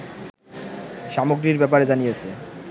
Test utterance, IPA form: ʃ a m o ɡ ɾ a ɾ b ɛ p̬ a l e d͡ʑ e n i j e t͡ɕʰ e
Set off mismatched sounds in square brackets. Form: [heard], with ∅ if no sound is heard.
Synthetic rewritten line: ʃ a m o ɡ ɾ [i] ɾ b ɛ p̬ a [ɾ] e d͡ʑ [a] n i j e t͡ɕʰ e